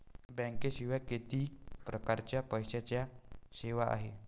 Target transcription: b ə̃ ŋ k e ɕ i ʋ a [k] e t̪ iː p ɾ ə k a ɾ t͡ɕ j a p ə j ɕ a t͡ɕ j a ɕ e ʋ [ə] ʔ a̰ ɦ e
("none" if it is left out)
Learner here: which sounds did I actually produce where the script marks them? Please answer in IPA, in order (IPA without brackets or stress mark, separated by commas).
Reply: k, a